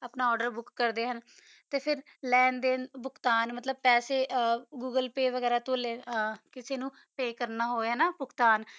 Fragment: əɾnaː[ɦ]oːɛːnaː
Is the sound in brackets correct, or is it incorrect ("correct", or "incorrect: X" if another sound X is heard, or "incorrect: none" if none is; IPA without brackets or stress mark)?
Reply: correct